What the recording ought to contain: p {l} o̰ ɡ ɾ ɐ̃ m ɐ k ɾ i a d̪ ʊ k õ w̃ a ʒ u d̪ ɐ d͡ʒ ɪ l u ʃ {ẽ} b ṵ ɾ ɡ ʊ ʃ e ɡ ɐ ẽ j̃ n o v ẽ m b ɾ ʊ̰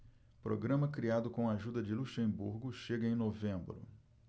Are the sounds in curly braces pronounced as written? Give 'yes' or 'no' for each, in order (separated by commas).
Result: no, yes